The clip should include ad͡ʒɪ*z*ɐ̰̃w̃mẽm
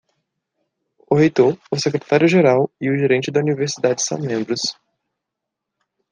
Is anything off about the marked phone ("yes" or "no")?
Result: yes